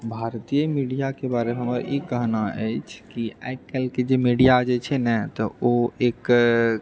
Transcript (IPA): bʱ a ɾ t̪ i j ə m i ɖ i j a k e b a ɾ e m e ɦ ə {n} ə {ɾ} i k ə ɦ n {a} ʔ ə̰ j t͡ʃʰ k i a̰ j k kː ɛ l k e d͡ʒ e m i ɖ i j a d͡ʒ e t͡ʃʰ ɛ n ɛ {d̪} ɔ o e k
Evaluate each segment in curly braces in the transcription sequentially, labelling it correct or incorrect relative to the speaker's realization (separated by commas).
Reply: incorrect, correct, correct, incorrect